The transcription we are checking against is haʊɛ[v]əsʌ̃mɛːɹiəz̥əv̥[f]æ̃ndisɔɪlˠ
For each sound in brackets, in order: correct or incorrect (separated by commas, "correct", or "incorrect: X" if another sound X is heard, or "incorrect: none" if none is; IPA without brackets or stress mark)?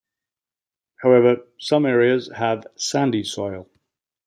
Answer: correct, incorrect: s